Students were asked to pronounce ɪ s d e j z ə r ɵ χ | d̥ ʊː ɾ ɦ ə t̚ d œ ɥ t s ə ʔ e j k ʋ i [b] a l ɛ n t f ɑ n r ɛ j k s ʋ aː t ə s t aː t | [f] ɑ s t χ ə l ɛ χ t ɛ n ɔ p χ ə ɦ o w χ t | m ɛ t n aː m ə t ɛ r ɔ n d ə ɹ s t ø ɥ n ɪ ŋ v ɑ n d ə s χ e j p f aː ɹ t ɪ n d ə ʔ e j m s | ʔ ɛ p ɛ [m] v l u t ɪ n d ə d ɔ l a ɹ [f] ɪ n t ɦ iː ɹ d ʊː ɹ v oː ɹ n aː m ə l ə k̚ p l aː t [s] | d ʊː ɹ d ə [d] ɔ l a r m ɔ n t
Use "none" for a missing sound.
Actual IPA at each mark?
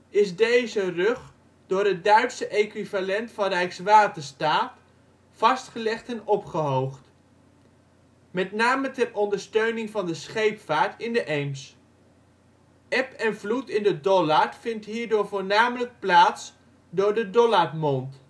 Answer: v, f, n, f, s, d

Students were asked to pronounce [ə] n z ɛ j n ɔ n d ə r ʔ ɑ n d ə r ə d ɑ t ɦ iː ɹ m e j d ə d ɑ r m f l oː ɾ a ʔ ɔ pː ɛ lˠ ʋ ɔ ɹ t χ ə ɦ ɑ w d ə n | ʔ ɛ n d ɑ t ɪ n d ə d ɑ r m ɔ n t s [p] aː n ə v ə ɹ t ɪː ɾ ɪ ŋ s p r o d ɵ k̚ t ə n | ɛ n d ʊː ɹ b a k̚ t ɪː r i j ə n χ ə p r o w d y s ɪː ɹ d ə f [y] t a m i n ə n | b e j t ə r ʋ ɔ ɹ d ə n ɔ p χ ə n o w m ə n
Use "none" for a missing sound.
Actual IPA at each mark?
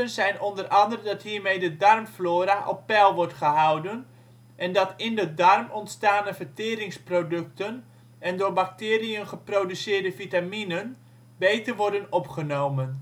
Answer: ə, t, i

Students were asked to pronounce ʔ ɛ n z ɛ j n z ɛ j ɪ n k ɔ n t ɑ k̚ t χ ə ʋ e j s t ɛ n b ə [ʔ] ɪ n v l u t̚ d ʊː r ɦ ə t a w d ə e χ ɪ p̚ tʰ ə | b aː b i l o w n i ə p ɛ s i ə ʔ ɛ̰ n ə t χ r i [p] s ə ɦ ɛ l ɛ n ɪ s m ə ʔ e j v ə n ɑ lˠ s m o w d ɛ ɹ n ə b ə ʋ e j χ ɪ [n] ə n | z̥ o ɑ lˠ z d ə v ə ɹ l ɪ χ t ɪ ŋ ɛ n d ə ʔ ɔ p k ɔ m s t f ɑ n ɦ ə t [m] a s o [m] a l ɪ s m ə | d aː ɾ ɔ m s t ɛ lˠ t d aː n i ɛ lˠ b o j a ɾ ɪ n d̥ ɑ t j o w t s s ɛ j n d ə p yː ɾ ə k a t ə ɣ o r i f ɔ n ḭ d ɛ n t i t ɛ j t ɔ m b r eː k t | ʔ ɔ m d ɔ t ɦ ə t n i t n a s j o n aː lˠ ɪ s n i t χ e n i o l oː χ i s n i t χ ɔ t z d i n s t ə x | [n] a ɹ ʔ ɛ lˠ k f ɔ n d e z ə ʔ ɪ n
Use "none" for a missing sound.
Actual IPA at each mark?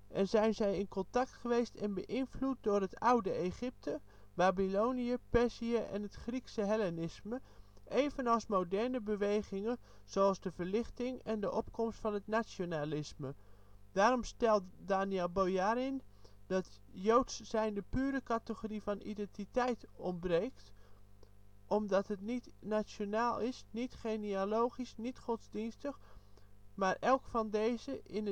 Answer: ʔ, k, ŋ, n, n, m

